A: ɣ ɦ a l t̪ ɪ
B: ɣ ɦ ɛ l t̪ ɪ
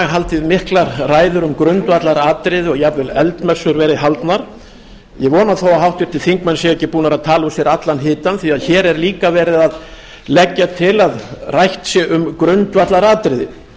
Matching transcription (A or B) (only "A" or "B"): A